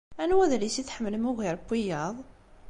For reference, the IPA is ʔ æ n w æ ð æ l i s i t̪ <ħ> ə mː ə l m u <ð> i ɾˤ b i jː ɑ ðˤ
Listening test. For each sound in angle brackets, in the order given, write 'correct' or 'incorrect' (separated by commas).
correct, incorrect